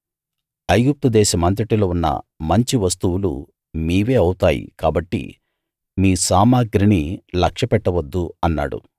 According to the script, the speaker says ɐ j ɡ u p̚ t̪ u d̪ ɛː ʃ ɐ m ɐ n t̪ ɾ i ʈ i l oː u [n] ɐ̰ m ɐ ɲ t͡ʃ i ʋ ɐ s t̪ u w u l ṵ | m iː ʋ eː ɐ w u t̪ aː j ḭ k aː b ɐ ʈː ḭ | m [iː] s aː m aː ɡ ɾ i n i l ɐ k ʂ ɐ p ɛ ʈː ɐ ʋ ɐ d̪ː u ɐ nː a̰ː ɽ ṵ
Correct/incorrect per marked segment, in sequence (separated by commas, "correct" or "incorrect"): incorrect, correct